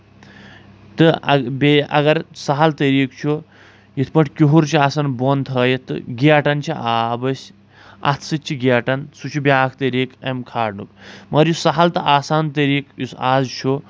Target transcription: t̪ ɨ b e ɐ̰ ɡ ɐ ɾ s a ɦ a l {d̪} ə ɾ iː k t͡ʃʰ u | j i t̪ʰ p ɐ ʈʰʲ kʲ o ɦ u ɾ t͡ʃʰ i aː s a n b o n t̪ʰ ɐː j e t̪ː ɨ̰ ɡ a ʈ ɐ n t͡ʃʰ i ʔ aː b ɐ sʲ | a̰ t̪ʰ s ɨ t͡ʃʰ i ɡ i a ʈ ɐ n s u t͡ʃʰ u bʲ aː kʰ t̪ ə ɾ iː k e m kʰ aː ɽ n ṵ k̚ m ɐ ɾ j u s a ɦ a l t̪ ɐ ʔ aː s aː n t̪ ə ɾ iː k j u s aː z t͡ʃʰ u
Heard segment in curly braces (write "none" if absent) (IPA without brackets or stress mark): t̪